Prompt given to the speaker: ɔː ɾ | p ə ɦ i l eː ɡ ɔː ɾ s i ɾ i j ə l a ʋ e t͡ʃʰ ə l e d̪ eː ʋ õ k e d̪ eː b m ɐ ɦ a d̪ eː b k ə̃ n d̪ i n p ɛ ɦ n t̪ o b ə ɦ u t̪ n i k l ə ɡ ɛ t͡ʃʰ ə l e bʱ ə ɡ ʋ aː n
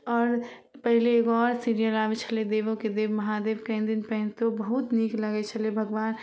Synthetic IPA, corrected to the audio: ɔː ɾ | p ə ɦ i l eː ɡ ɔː ɾ s i ɾ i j ə l a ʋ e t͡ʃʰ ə l e d̪ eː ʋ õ k e d̪ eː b m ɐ ɦ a d̪ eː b k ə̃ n d̪ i n p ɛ ɦ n t̪ o b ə ɦ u t̪ n i k l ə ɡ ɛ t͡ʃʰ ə l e bʱ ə ɡ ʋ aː n